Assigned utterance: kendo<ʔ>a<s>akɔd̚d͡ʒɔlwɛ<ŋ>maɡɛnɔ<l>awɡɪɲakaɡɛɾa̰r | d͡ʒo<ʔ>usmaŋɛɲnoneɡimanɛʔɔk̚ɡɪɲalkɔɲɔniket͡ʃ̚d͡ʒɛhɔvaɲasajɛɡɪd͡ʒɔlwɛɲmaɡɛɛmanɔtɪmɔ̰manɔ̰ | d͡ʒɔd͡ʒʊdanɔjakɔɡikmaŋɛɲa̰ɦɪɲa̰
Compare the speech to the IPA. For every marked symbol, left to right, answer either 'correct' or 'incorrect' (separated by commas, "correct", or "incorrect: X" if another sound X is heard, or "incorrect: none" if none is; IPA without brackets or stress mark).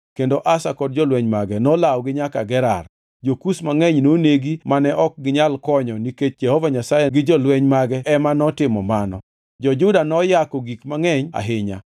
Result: correct, correct, incorrect: ɲ, correct, incorrect: k